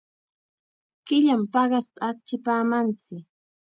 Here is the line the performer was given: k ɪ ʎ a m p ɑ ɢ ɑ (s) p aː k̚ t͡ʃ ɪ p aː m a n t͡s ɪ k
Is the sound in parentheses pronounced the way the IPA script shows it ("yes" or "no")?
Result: yes